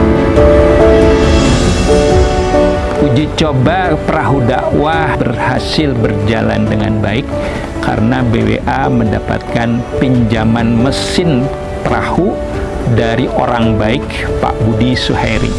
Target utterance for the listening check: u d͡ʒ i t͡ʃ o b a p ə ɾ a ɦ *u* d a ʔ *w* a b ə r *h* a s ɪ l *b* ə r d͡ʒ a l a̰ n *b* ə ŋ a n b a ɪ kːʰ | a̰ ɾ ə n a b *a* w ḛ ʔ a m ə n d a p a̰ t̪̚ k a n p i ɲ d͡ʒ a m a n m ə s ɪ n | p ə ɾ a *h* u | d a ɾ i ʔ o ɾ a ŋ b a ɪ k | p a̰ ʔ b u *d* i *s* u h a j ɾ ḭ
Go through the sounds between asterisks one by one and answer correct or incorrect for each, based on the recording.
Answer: correct, correct, correct, correct, incorrect: d, incorrect: e, correct, correct, correct

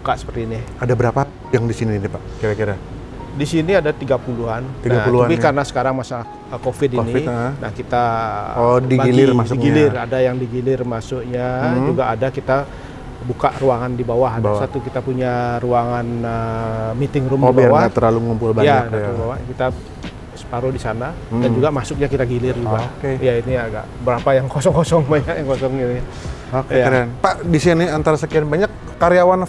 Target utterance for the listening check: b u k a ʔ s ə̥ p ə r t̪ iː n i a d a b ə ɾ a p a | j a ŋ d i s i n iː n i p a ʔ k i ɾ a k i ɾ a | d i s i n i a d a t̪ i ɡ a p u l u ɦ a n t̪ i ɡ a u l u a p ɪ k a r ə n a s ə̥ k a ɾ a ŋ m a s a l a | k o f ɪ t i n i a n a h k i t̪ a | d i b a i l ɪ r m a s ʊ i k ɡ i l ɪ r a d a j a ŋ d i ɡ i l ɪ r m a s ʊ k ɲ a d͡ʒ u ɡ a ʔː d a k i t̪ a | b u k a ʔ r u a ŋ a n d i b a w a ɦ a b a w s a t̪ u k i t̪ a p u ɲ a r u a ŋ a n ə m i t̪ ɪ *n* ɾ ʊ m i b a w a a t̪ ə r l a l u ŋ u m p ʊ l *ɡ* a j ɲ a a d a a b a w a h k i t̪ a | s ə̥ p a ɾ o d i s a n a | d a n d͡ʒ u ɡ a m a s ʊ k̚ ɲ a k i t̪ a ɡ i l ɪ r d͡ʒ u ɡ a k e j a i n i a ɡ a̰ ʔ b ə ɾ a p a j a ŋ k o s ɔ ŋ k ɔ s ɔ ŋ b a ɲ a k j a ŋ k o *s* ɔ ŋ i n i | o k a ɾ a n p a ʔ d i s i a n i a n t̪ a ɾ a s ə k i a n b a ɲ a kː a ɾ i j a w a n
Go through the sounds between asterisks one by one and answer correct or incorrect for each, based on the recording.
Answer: incorrect: ŋ, incorrect: b, correct

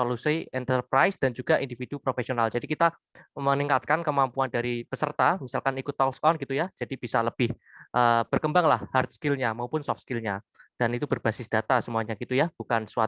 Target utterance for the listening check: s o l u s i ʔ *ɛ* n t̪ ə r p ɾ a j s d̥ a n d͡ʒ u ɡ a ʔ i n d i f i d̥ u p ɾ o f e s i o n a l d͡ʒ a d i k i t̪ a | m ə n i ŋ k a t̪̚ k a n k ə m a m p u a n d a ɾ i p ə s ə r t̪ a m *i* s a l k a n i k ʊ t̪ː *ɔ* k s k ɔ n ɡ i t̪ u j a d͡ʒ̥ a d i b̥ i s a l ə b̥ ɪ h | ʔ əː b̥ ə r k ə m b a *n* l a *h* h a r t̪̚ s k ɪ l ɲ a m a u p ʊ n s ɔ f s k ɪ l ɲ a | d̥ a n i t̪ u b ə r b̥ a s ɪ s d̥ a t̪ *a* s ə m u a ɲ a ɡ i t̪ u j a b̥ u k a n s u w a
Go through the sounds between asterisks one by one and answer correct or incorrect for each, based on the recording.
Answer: correct, correct, correct, incorrect: ŋ, correct, correct

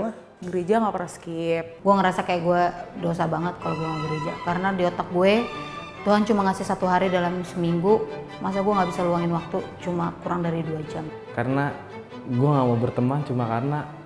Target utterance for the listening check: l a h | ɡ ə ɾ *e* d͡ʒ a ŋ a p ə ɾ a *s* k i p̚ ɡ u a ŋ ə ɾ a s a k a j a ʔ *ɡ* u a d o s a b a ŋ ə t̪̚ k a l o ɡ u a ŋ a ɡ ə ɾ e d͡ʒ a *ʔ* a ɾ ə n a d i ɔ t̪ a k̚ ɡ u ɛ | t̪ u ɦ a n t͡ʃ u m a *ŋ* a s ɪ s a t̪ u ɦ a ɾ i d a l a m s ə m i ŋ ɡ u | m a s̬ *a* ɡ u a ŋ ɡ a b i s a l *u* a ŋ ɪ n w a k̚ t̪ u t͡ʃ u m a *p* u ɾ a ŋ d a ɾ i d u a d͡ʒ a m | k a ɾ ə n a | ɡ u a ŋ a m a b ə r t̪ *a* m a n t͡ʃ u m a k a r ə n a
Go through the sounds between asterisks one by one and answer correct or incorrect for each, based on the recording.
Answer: correct, correct, correct, incorrect: k, correct, correct, correct, incorrect: k, incorrect: ə

